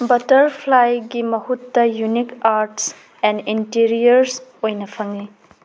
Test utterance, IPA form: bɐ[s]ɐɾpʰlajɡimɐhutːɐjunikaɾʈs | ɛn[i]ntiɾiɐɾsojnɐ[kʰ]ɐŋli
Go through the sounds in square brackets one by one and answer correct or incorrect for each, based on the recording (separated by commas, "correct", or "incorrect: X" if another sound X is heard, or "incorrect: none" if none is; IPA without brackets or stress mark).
incorrect: t, correct, incorrect: pʰ